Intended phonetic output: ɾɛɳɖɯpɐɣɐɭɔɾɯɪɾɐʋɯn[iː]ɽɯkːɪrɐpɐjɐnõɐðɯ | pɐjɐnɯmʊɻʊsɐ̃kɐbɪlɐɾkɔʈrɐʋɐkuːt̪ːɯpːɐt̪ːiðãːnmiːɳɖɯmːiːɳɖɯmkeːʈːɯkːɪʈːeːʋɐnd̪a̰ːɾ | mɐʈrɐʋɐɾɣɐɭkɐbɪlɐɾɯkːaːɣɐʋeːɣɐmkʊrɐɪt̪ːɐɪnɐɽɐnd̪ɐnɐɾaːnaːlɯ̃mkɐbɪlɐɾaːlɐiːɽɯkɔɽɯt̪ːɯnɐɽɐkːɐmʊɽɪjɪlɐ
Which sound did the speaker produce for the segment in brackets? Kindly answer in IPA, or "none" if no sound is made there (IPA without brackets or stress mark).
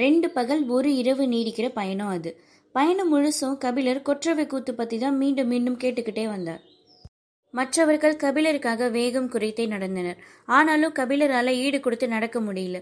iː